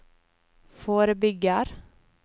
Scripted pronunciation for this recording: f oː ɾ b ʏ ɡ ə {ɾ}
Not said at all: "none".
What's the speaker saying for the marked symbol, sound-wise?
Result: ɾ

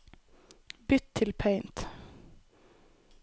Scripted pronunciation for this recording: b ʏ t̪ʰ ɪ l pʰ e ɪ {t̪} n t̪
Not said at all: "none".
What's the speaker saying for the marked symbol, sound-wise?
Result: none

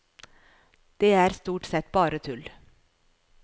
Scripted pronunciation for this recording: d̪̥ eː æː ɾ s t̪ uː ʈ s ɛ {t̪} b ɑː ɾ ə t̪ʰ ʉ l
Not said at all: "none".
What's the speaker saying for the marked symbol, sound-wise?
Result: t̪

